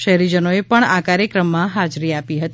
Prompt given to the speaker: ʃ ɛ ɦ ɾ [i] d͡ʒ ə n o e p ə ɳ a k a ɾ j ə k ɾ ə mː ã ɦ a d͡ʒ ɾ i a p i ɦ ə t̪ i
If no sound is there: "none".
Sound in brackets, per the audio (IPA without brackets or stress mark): i